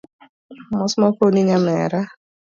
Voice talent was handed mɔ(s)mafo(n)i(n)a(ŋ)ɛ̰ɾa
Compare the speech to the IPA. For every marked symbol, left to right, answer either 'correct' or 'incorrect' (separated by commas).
correct, correct, incorrect, incorrect